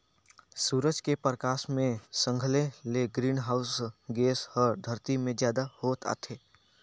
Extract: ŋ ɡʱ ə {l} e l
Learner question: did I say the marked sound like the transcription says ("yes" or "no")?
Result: yes